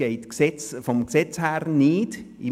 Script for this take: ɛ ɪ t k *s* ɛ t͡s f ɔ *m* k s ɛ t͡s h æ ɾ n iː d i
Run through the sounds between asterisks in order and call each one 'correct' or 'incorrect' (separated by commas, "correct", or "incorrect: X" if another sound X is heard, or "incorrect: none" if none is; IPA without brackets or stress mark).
correct, correct